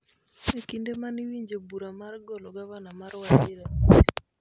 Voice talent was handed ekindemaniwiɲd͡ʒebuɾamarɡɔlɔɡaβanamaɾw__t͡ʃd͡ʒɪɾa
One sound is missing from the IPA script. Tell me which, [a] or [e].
a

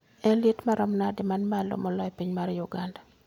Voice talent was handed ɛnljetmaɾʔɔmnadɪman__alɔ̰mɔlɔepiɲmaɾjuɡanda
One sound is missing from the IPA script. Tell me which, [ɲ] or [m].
m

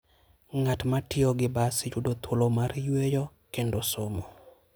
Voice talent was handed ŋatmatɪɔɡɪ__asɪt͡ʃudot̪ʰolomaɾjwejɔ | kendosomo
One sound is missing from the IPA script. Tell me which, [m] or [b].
b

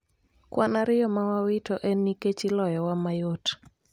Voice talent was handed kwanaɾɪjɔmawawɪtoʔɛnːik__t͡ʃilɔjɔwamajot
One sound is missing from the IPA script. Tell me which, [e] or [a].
e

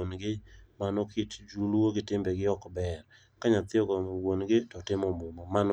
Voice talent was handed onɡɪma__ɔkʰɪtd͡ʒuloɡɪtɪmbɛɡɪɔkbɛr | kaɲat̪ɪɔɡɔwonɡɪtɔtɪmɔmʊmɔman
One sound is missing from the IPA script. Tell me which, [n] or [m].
n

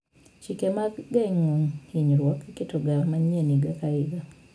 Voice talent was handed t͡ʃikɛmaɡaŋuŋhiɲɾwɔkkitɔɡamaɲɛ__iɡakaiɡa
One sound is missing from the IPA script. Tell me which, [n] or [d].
n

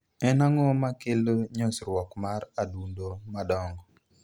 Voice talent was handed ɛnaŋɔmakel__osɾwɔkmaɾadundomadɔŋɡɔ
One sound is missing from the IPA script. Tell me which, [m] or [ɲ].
ɲ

